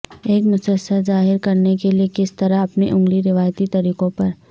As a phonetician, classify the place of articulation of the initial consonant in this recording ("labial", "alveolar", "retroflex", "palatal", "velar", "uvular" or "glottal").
velar